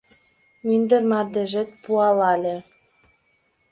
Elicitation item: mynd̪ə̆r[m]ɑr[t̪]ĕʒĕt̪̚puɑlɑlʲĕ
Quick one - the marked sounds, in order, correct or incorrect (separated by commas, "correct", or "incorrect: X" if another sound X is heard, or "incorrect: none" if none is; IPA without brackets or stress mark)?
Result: correct, incorrect: d̪